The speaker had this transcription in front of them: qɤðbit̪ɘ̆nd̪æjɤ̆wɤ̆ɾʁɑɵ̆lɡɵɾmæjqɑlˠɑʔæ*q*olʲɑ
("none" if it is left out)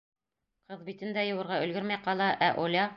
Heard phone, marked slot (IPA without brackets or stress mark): ʔ